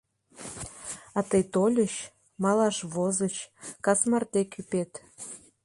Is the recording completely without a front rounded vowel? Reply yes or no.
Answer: no